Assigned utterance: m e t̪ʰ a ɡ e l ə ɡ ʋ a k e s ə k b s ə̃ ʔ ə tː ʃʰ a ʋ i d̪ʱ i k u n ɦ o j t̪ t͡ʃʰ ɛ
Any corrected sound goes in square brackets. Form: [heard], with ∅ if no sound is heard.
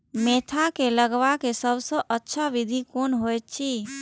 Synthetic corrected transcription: m e t̪ʰ a [k] e l ə ɡ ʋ a k e s ə [∅] b s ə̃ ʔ ə tː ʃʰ a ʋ i d̪ʱ i k [o] n ɦ o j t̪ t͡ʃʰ [i]